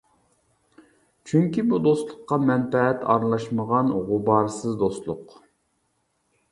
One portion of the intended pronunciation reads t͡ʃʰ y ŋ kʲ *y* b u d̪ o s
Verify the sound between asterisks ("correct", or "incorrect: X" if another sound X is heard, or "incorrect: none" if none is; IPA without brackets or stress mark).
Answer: incorrect: i